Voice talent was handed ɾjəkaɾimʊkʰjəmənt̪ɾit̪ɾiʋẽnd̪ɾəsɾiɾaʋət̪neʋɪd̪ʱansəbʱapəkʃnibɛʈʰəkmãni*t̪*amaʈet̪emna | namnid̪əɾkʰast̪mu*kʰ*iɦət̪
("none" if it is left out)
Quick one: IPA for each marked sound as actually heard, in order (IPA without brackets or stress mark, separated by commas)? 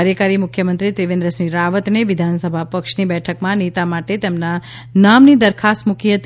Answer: t̪, k